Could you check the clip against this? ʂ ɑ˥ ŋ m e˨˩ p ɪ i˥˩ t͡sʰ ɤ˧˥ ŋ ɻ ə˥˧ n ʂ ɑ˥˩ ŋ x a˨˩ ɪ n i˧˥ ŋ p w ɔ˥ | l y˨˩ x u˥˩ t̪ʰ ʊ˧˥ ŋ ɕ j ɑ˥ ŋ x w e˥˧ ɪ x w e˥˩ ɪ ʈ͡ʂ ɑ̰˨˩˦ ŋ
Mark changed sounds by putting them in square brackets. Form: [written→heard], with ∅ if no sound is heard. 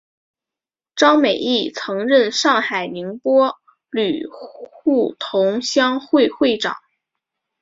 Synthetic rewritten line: [ʂ→ʈ͡ʂ] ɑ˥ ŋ m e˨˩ [p→∅] ɪ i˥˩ t͡sʰ ɤ˧˥ ŋ ɻ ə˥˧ n ʂ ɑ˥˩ ŋ x a˨˩ ɪ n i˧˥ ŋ p w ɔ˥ | l y˨˩ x u˥˩ t̪ʰ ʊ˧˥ ŋ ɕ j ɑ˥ ŋ x w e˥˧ ɪ x w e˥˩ ɪ ʈ͡ʂ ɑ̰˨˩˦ ŋ